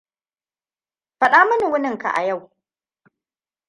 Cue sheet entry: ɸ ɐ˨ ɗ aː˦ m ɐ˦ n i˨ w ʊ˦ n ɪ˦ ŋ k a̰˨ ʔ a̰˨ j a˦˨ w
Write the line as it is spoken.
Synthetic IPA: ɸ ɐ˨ ɗ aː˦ m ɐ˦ n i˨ w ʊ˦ n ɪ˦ ŋ k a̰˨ ʔ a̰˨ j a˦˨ w

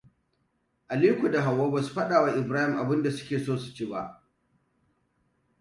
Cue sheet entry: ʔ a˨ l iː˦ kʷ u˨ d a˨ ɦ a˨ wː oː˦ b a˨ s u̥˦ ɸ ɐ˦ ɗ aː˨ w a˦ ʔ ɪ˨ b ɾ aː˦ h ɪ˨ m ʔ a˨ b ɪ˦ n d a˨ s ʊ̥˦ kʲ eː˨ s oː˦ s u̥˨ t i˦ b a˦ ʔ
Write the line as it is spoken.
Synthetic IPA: ʔ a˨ l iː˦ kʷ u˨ d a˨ ɦ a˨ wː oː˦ b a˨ s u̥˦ ɸ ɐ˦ ɗ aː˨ w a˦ ʔ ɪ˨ b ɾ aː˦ h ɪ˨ m ʔ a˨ b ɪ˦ n d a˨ s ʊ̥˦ kʲ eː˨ s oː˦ s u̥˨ t͡ʃ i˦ b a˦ ʔ

